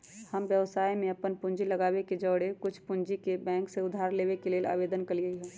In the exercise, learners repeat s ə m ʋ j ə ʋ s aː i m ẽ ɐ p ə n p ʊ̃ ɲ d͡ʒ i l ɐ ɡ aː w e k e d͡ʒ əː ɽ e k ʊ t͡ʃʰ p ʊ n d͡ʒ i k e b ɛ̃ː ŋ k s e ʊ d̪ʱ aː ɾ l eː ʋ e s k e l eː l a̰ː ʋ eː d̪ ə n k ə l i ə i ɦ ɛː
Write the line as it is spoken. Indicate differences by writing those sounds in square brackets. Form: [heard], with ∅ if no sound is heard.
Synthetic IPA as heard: [h] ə m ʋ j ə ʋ s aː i m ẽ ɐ p ə n p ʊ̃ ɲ d͡ʒ i l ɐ ɡ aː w e k e d͡ʒ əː ɽ e k ʊ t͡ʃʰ p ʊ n d͡ʒ i k e b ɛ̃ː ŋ k s e ʊ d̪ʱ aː ɾ l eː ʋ e [∅] k e l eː l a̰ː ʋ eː d̪ ə n k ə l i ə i ɦ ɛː